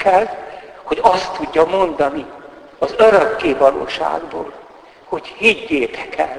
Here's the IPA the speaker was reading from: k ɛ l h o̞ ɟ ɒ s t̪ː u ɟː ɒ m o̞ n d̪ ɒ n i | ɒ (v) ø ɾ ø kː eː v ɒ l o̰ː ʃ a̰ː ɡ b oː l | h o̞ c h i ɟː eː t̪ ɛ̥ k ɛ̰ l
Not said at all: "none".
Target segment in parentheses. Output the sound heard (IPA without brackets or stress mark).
z